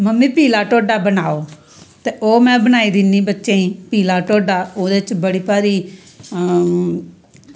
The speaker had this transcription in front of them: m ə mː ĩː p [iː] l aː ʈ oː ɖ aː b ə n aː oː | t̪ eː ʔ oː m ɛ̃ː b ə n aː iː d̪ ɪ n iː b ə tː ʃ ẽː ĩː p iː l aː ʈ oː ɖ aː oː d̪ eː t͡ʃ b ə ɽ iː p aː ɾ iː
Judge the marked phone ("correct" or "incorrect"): correct